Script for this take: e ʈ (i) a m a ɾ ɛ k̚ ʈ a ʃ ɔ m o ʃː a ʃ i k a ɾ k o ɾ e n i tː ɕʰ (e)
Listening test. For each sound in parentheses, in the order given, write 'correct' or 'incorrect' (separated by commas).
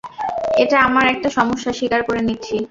incorrect, incorrect